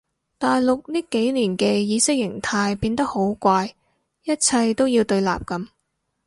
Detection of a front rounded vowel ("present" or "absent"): absent